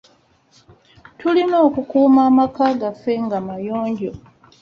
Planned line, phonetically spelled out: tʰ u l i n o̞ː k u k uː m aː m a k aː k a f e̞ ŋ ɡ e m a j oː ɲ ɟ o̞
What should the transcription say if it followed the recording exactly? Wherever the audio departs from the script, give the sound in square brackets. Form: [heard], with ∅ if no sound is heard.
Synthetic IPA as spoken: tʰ u l i n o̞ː k u k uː m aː m a k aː [ɡ] a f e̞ ŋ ɡ [a] m a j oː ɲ ɟ o̞